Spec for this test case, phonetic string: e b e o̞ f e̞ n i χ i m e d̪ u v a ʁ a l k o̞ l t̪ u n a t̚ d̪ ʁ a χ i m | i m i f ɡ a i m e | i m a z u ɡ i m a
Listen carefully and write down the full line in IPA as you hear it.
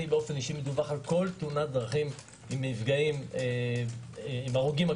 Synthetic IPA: i b e o̞ f e̞ n i ʃ i m e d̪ u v a χ a l k o̞ l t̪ u n a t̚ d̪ ʁ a χ i m | i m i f ɡ a i m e | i m a ʁ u ɡ i m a